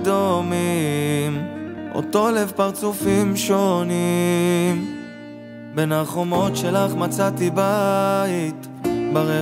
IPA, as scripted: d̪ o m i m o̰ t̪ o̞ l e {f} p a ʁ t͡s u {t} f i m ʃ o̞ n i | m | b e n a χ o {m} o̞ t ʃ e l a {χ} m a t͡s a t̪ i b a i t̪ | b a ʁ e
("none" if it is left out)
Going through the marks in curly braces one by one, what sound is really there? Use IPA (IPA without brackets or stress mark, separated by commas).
v, none, m, χ